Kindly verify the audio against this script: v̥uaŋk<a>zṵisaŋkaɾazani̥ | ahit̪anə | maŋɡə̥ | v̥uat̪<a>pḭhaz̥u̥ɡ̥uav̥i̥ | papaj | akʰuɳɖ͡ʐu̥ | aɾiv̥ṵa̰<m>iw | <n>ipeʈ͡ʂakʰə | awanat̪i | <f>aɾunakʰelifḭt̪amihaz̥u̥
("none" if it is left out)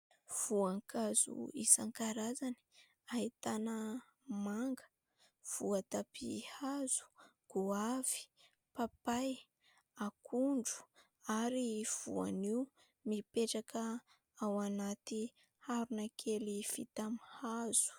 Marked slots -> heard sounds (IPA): a, a, n, m, h

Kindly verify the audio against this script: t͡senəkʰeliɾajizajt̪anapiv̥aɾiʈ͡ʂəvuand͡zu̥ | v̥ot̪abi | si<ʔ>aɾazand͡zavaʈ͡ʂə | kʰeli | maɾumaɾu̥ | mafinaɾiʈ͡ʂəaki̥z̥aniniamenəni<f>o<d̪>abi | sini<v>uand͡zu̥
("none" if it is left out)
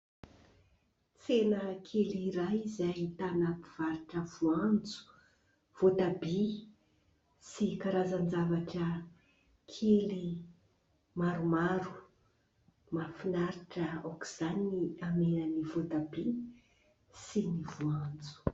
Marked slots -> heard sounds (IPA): k, v, t̪, v

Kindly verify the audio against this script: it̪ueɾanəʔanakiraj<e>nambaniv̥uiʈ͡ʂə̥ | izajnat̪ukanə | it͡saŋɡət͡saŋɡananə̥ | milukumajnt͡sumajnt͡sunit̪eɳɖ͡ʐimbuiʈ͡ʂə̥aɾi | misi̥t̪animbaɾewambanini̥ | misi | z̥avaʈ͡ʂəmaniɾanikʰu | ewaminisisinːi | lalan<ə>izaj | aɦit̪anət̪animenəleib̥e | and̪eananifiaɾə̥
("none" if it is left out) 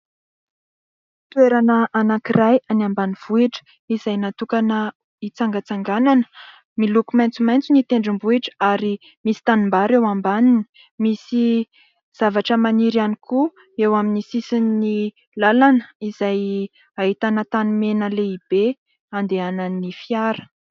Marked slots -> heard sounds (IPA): a, ə

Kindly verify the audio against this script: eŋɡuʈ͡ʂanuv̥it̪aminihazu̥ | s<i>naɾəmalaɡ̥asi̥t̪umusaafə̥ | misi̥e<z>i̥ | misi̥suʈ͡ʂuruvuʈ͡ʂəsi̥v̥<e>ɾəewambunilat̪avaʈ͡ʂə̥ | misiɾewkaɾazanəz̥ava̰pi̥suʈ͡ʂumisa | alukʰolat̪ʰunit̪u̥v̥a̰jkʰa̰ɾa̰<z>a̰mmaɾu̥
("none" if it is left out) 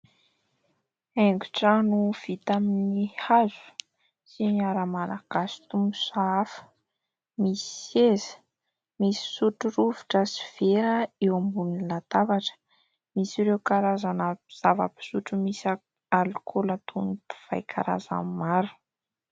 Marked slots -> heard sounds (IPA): i, z, e, z

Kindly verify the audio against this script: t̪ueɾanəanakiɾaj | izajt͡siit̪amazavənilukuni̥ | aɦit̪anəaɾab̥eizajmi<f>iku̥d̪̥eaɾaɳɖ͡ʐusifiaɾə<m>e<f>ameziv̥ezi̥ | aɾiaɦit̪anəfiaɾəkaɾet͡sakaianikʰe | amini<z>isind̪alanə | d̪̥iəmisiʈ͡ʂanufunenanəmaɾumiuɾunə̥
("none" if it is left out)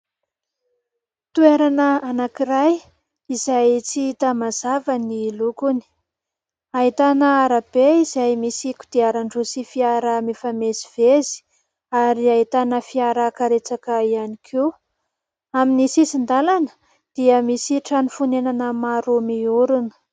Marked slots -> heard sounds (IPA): s, m, f, s

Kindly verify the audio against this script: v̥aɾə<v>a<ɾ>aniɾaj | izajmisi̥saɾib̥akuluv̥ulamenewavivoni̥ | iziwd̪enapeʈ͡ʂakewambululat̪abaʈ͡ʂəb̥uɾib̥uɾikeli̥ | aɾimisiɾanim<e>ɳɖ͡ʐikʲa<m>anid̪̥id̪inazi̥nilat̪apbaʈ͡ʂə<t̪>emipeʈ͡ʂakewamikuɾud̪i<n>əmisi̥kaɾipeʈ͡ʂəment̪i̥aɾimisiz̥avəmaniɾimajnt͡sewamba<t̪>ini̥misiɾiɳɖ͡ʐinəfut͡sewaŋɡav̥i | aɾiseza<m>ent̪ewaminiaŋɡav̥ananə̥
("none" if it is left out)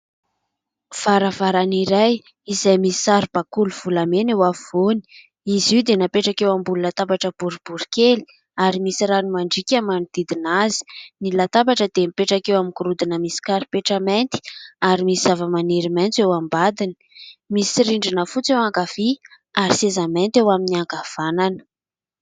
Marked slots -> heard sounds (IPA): v, ɾ, a, m, d̪, n, d̪, m

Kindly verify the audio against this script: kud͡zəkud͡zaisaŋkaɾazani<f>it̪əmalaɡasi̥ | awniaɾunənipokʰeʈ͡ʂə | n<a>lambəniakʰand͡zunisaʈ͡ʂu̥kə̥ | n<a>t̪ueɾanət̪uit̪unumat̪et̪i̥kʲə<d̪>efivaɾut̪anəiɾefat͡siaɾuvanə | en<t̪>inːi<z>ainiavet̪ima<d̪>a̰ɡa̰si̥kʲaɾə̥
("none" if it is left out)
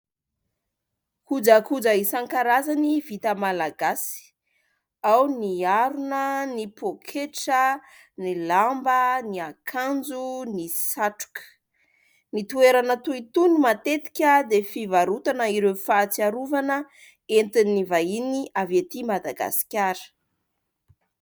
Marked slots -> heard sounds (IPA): v, i, i, d̪, t̪, v, d̪

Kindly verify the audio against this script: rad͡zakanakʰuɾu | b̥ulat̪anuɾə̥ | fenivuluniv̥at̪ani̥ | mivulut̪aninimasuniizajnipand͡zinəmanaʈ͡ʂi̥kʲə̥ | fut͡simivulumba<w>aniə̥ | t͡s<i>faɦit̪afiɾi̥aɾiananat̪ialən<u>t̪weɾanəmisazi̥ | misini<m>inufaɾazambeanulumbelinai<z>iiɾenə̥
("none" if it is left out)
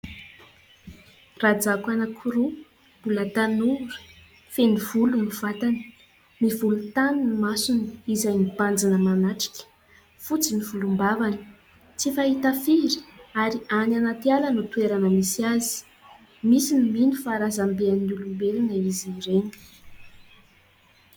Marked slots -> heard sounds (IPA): v, i, u, m, z

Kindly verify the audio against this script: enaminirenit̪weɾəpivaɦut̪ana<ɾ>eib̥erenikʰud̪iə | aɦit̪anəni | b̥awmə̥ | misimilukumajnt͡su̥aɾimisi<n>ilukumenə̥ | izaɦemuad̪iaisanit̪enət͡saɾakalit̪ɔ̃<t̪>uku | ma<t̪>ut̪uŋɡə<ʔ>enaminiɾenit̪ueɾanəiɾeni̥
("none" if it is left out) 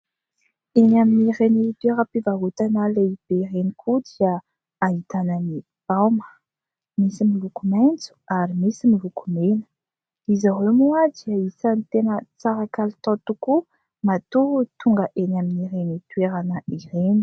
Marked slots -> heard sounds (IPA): l, m, t̪, t̪, ʔ

